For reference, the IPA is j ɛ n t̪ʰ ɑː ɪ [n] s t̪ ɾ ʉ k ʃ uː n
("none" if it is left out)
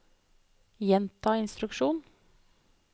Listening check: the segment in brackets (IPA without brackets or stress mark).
n